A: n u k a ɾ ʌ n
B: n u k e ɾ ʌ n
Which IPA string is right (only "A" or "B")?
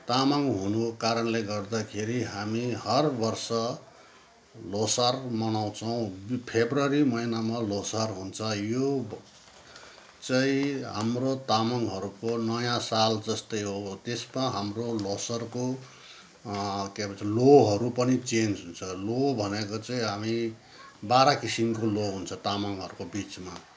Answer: A